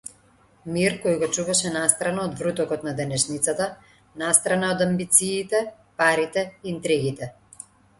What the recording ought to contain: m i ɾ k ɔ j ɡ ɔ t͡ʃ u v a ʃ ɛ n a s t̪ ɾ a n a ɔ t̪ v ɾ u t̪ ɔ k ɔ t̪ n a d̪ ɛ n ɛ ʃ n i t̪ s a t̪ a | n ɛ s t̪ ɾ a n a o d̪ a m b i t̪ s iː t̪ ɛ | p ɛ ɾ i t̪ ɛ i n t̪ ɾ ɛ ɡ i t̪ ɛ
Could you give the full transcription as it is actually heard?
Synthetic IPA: m i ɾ k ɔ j ɡ ɔ t͡ʃ u v a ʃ ɛ n a s t̪ ɾ a n a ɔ d̪ v ɾ u t̪ ɔ k ɔ t̪ n a d̪ ɛ n ɛ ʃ n i t̪ s a t̪ a | n a s t̪ ɾ a n a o d̪ a m b i t̪ s iː t̪ ɛ | p a ɾ i t̪ ɛ i n t̪ ɾ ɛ ɡ i t̪ ɛ